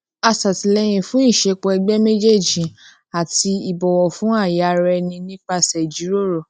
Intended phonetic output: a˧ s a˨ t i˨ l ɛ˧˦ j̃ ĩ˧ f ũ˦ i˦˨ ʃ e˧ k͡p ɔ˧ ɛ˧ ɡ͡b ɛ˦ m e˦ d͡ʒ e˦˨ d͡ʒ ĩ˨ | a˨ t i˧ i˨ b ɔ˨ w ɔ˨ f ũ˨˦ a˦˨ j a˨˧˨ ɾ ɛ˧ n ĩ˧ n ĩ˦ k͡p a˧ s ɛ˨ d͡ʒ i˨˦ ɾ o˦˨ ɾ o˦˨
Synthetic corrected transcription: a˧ s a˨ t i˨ l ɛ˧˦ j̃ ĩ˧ f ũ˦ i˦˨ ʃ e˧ k͡p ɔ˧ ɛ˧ ɡ͡b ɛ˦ m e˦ d͡ʒ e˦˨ d͡ʒ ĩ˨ | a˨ t i˧ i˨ b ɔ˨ w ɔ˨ f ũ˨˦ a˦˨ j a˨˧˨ ɾ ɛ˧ n ĩ˧ n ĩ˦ k͡p a˧ s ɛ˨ d͡ʒ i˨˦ ɾ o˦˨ ɾ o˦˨